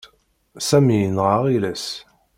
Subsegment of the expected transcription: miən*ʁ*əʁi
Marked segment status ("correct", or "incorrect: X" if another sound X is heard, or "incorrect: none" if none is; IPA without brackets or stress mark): correct